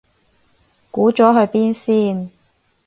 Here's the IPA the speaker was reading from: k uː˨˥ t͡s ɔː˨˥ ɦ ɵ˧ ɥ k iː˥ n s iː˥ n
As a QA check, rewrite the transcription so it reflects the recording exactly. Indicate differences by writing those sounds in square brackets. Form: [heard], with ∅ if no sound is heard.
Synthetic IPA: k uː˨˥ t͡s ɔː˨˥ ɦ ɵ˧ ɥ [p] iː˥ n s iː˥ n